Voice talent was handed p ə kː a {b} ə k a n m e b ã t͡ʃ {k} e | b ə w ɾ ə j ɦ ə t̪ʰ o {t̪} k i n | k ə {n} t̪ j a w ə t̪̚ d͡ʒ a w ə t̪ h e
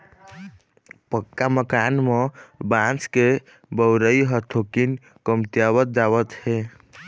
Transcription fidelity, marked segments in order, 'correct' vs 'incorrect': incorrect: m, correct, incorrect: none, incorrect: m

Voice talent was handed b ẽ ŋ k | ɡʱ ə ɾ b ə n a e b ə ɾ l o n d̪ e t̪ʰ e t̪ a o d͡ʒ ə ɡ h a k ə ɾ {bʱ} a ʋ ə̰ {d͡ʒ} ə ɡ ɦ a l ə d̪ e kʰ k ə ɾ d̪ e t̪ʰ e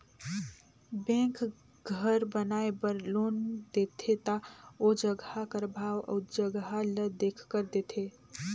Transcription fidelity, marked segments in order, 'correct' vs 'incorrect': correct, correct

